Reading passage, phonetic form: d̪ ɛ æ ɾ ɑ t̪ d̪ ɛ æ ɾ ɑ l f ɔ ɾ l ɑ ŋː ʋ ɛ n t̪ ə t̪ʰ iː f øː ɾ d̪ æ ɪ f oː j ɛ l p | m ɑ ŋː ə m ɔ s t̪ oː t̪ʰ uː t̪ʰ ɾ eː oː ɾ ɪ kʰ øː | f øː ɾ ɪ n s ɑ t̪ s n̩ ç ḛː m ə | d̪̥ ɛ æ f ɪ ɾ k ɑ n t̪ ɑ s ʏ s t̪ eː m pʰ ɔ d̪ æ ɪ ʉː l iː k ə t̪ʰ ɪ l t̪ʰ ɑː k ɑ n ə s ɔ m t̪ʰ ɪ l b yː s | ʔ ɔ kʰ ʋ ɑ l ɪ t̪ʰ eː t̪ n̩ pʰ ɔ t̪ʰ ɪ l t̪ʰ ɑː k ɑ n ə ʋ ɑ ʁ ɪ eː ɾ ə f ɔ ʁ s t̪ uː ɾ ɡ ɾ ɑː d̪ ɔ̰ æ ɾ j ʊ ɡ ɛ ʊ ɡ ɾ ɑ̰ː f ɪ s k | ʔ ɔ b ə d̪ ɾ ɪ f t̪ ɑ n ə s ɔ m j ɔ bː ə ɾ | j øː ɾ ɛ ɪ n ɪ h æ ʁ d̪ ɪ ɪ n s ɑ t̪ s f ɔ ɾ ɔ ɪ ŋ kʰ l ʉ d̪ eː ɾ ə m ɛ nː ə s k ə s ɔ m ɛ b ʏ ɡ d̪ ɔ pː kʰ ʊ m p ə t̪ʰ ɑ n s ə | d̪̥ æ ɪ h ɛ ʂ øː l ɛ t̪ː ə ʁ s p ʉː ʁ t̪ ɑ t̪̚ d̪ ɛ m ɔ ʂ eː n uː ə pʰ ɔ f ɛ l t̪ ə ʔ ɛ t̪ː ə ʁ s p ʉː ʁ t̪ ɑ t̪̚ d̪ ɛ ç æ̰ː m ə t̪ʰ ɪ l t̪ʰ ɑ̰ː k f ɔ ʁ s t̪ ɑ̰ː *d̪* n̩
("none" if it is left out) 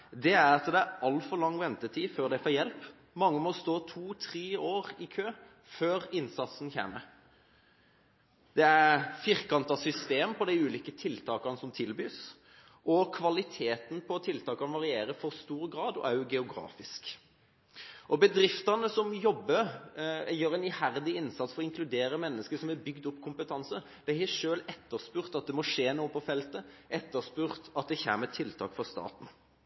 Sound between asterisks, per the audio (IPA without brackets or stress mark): t̪